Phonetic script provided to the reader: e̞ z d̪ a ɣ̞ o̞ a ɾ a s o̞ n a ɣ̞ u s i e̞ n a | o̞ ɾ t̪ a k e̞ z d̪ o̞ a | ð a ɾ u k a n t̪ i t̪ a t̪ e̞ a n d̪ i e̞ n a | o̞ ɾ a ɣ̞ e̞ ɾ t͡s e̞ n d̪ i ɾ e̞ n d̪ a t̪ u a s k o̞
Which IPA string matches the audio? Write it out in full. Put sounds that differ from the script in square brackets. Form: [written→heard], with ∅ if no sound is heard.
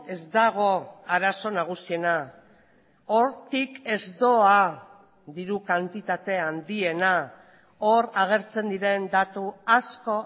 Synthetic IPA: e̞ z d̪ a ɣ̞ o̞ a ɾ a s o̞ n a ɣ̞ u s i e̞ n a | o̞ ɾ t̪ [a→i] k e̞ z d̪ o̞ a | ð [a→i] ɾ u k a n t̪ i t̪ a t̪ e̞ a n d̪ i e̞ n a | o̞ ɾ a ɣ̞ e̞ ɾ t͡s e̞ n d̪ i ɾ e̞ n d̪ a t̪ u a s k o̞